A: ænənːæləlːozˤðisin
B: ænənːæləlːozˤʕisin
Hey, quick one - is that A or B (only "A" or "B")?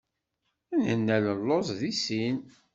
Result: A